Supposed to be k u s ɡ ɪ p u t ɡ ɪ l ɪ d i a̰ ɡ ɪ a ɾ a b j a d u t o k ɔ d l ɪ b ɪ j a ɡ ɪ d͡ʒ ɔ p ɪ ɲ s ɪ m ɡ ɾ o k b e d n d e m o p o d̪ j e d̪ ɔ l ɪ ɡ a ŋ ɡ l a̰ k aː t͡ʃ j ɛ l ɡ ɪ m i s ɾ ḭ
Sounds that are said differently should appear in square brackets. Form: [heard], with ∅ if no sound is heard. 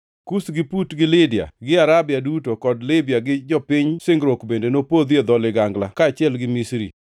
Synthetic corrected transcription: k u s ɡ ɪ p u t ɡ ɪ l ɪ d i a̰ ɡ ɪ a ɾ a b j a d u t o k ɔ d l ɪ b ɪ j a ɡ ɪ d͡ʒ ɔ p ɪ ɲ s ɪ [ŋ] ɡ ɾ o k b e [∅] n d e [n] o p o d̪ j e d̪ ɔ l ɪ ɡ a ŋ ɡ l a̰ k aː t͡ʃ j ɛ l ɡ ɪ m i s ɾ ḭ